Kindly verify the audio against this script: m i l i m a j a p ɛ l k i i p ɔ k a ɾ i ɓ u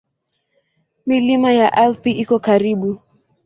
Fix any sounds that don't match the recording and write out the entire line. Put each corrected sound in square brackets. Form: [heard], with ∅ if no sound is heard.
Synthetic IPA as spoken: m i l i m a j a [ʔ] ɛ l [p] i i [k] ɔ k a ɾ i ɓ u